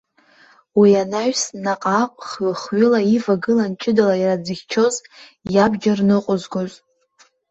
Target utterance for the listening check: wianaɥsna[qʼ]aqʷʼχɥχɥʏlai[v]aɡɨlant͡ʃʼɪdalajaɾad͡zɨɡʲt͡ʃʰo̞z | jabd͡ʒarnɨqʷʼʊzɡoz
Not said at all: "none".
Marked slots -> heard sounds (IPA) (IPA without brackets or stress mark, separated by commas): qʼ, v